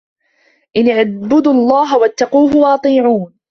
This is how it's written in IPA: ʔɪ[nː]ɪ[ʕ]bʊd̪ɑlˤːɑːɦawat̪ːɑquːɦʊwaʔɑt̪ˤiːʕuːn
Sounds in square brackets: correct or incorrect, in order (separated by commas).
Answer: incorrect, correct